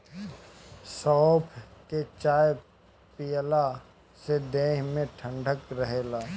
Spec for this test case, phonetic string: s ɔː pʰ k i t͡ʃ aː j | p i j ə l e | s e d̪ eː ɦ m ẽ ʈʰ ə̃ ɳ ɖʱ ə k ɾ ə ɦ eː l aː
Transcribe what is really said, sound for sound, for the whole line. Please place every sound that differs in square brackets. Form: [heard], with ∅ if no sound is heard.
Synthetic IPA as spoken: s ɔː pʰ k [e] t͡ʃ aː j | p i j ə l [a] | s e d̪ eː ɦ m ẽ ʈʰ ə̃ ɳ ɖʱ ə k ɾ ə ɦ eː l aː